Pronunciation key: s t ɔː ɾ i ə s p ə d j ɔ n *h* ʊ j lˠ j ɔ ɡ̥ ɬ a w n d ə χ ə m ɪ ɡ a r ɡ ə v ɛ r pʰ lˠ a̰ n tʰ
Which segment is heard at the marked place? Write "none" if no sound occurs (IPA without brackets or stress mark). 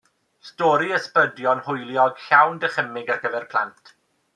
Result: h